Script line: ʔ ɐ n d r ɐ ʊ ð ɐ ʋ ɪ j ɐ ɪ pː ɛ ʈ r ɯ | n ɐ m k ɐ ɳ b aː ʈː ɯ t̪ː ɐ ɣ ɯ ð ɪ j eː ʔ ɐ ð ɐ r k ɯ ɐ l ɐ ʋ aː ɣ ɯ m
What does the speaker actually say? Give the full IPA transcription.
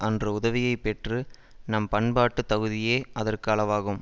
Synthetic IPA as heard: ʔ ɐ n d r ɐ ʊ ð ɐ ʋ ɪ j ɐ ɪ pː ɛ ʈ r ɯ | n ɐ m p ɐ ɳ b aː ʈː ɯ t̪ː ɐ ɣ ɯ ð ɪ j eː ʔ ɐ ð ɐ r k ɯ ɐ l ɐ ʋ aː ɣ ɯ m